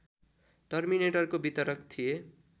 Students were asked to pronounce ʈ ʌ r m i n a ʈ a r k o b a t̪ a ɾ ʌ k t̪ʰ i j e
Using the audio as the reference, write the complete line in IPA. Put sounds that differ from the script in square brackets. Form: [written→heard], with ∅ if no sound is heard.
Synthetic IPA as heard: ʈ ʌ r m i n [a→e] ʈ [a→ʌ] r k o b [a→i] t̪ [a→ʌ] ɾ ʌ k t̪ʰ i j e